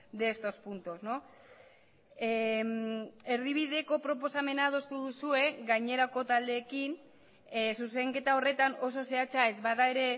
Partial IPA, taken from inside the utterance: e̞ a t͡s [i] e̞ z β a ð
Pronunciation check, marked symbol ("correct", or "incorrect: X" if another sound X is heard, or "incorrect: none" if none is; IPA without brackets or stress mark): incorrect: a